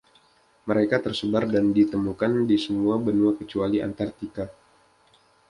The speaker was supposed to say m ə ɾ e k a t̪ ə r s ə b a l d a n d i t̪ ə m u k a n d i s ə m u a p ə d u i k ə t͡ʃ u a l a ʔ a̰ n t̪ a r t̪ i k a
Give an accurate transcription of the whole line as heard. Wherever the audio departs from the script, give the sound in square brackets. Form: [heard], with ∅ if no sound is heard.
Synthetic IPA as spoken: m ə ɾ e k a t̪ ə r s ə b a [r] d a n d i t̪ ə m u k a n d i s ə m u a [b] ə [n] u [a] k ə t͡ʃ u a l [i] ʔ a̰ n t̪ a r t̪ i k a